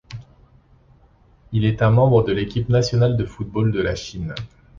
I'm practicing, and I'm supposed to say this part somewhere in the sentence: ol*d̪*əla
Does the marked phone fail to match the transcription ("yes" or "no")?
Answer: no